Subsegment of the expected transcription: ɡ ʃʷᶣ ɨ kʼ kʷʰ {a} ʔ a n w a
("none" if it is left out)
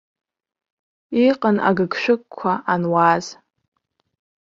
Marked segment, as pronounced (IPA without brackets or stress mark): a